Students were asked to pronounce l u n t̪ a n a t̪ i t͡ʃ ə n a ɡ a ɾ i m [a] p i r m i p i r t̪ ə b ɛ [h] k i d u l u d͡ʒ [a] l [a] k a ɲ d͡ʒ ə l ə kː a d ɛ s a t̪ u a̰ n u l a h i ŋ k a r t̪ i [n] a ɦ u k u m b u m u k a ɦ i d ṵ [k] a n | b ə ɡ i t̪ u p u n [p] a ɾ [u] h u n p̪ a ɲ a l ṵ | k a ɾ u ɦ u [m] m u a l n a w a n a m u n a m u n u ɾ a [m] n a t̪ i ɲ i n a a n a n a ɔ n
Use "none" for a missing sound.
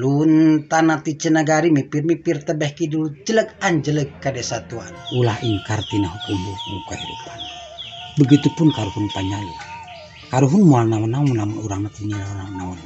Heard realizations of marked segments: i, h, ə, ə, n, p, k, u, n, ŋ

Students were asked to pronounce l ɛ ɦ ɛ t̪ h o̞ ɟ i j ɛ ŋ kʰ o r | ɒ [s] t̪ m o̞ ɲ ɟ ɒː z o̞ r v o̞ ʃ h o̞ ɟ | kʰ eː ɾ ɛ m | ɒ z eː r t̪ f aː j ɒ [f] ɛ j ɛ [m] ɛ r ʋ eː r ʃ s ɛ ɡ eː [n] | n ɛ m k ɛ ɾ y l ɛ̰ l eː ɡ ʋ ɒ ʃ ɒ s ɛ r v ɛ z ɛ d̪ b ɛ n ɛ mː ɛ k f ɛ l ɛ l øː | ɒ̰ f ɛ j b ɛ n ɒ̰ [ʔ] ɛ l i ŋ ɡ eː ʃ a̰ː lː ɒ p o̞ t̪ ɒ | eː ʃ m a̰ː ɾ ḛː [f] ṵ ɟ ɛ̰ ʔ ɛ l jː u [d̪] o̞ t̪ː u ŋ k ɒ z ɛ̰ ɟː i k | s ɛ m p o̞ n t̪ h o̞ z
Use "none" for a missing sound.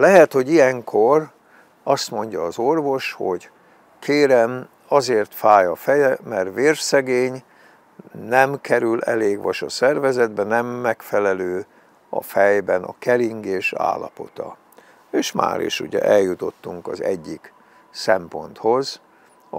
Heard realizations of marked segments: s, f, m, ɲ, k, ʃ, t̪

